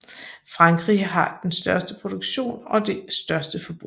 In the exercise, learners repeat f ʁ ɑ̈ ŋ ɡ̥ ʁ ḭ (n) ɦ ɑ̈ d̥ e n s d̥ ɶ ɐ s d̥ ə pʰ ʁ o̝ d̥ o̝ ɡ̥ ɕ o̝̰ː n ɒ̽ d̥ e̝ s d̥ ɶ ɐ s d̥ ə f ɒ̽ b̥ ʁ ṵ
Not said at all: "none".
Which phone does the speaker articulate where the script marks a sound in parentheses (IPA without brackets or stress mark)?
none